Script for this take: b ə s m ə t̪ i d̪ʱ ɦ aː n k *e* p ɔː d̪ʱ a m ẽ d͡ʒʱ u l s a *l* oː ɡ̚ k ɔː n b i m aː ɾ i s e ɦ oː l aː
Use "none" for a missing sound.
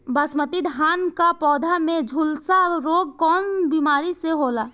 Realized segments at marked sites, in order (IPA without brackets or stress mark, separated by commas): a, ɾ